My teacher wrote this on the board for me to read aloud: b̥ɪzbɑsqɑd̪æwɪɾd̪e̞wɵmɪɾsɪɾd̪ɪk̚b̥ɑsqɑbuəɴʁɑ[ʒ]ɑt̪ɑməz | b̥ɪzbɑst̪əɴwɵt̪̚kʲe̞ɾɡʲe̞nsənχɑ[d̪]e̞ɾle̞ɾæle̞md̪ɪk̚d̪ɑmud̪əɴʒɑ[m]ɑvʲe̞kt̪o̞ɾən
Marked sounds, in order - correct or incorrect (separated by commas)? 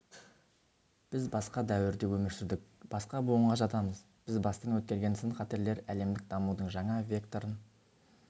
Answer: correct, incorrect, incorrect